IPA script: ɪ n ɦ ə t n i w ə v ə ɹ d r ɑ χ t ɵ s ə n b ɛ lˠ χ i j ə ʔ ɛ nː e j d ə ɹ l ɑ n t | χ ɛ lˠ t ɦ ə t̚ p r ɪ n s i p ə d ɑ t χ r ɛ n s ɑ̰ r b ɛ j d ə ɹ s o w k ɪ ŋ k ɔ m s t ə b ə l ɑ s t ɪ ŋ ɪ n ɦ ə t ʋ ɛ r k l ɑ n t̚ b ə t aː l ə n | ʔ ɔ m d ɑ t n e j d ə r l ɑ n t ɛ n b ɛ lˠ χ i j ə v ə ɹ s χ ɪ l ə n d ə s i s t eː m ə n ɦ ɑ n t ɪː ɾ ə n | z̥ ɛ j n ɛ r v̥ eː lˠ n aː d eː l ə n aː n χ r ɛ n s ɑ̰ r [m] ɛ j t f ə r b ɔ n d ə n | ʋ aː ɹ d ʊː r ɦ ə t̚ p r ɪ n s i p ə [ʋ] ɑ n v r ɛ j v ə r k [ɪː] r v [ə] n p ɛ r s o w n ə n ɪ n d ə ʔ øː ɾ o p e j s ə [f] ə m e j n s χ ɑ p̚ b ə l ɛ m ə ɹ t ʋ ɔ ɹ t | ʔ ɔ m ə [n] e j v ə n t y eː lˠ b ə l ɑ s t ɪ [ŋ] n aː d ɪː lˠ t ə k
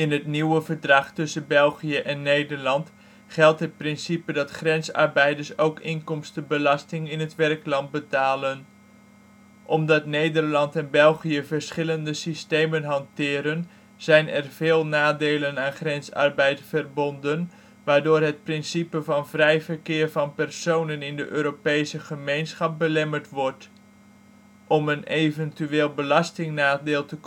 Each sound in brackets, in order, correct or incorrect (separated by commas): incorrect, incorrect, correct, incorrect, incorrect, correct, correct